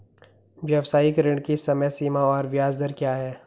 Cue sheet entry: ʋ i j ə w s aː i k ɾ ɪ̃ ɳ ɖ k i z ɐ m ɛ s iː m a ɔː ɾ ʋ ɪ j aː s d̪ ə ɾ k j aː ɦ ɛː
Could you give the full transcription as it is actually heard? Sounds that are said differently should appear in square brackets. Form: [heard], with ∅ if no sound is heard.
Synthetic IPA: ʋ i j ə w s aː i k ɾ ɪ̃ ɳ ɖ k i [s] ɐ m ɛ s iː m a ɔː ɾ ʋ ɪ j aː [z] d̪ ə ɾ k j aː ɦ ɛː

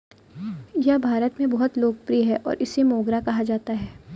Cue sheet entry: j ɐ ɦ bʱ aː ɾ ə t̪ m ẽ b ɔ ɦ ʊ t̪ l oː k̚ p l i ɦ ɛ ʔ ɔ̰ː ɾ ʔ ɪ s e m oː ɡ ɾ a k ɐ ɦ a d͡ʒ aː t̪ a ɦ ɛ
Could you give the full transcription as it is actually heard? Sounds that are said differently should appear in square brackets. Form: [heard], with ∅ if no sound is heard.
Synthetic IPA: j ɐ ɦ bʱ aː ɾ ə t̪ m ẽ b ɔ ɦ ʊ t̪ l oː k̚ p [ɾ] i ɦ ɛ ʔ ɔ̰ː ɾ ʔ ɪ s e m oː ɡ ɾ a k ɐ ɦ a d͡ʒ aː t̪ a ɦ [ɛː]

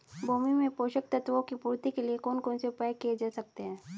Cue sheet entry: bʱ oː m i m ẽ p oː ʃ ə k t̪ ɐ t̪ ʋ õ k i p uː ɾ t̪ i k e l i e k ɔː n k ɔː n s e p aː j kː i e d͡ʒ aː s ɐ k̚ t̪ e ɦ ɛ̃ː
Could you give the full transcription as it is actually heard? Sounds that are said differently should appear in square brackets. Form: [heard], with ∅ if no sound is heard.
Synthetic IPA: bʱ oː m i m ẽ p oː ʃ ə k t̪ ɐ t̪ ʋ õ k i p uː ɾ t̪ i k e l i e k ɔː n k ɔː n s e p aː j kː i e d͡ʒ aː s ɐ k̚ t̪ e ɦ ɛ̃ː

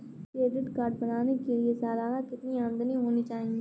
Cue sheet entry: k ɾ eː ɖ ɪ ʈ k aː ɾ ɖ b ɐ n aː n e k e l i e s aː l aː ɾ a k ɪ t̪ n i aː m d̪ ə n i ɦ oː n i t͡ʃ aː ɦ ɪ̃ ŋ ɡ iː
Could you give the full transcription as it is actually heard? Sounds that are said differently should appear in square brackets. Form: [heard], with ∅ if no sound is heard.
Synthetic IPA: k ɾ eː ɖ ɪ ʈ k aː ɾ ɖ b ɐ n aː n e k e l i e s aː l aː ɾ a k ɪ t̪ n i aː m d̪ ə n i ɦ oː n i t͡ʃ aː ɦ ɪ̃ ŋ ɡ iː

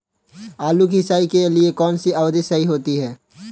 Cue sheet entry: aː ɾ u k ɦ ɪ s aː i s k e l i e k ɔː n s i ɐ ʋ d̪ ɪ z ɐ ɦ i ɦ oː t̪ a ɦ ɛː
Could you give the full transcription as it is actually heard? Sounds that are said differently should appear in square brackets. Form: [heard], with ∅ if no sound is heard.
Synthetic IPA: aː [l] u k ɦ ɪ s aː i [∅] k e l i e k ɔː n s i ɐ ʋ d̪ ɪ [s] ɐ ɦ i ɦ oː t̪ [i] ɦ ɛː

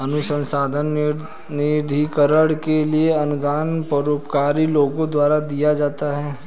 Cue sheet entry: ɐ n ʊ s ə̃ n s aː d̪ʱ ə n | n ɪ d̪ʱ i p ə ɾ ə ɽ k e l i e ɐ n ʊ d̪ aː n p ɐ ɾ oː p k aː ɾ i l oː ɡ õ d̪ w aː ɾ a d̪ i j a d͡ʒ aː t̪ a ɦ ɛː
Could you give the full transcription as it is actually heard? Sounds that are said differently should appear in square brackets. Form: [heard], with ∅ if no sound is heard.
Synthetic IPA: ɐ n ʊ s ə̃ n s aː d̪ʱ ə n | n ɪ d̪ʱ i [k] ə ɾ ə ɽ k e l i e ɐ n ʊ d̪ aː n p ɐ ɾ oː p k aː ɾ i l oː ɡ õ d̪ w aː ɾ a d̪ i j a d͡ʒ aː t̪ a ɦ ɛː

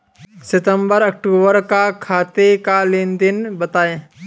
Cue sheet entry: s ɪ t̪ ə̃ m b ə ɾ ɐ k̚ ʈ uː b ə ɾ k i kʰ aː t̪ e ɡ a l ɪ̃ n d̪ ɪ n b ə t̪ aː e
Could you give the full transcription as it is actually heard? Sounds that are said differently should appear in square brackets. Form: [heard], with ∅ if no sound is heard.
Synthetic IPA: s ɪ t̪ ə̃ m b ə ɾ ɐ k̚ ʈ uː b ə ɾ k [a] kʰ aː t̪ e [k] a l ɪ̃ n d̪ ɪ n b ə t̪ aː e

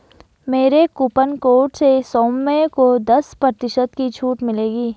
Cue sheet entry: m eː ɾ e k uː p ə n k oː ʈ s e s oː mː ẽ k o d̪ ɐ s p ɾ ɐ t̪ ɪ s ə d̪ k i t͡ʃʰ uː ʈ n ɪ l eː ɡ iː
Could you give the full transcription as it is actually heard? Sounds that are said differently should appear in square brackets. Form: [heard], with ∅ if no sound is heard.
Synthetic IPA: m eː ɾ e k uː p ə n k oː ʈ s e s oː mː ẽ k o d̪ ɐ s p ɾ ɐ t̪ ɪ [ʃ] ə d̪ k i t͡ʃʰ uː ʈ [m] ɪ l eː ɡ iː

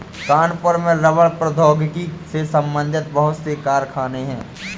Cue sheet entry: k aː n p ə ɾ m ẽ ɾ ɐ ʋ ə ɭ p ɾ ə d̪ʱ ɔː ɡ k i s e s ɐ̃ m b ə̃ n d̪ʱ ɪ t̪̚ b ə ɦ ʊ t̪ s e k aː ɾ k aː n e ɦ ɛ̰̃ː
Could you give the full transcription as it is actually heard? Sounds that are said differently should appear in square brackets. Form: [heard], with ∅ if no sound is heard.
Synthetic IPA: k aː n p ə ɾ m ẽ ɾ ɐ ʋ ə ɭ p ɾ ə d̪ʱ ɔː ɡ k i s e s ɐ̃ m b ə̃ n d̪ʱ ɪ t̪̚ b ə ɦ ʊ t̪ s e k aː ɾ [kʰ] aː n e ɦ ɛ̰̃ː

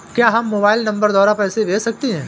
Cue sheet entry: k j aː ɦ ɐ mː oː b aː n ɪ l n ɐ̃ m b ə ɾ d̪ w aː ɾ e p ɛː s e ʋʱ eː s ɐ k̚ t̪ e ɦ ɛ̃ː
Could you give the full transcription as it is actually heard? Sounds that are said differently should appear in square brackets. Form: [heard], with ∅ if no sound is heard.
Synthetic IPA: k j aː ɦ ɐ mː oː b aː [∅] ɪ l n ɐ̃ m b ə ɾ d̪ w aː ɾ [a] p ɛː s e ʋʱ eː s ɐ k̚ t̪ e ɦ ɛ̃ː

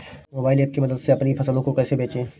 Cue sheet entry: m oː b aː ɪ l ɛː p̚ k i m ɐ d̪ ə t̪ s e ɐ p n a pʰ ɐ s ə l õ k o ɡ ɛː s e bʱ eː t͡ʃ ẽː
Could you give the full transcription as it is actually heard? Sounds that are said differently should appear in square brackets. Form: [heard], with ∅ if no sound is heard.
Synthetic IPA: m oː b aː ɪ l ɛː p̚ k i m ɐ d̪ ə [d̪] s e ɐ p n [i] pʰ ɐ s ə l õ k o [k] ɛː s e bʱ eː t͡ʃ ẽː

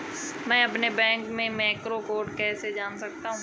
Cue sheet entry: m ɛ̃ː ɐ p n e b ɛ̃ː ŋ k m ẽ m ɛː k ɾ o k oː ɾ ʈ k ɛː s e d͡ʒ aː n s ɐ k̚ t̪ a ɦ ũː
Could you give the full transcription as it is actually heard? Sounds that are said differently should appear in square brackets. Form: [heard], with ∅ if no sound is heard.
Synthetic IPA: m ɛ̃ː ɐ p n e b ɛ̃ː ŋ k m ẽ m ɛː k ɾ o k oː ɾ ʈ k ɛː s e d͡ʒ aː n s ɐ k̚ t̪ a ɦ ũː

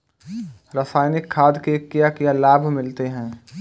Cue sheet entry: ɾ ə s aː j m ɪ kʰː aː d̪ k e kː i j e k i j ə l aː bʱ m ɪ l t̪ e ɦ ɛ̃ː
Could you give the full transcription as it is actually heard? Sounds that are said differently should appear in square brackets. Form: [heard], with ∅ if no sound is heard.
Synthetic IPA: ɾ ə s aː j [n] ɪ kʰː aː d̪ k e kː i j [a] k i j [a] l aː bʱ m ɪ l t̪ e ɦ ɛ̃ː

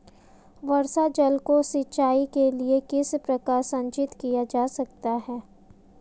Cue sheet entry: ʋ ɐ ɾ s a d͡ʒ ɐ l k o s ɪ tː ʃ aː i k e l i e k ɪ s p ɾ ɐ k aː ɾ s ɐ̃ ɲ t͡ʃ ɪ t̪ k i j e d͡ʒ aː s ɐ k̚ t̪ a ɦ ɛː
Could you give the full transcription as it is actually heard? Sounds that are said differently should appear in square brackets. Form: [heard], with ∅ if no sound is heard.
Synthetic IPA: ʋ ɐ ɾ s a d͡ʒ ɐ l k o s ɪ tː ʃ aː i k e l i e k ɪ s p ɾ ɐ k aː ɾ s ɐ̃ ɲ t͡ʃ ɪ t̪ k i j [a] d͡ʒ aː s ɐ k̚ t̪ a ɦ ɛː

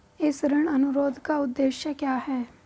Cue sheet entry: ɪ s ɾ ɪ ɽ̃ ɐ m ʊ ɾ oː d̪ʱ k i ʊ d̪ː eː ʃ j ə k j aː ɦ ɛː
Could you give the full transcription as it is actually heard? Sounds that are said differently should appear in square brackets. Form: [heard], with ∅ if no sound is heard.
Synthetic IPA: ɪ s ɾ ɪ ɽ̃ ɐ [n] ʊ ɾ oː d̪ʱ k [a] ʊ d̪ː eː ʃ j ə k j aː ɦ ɛː

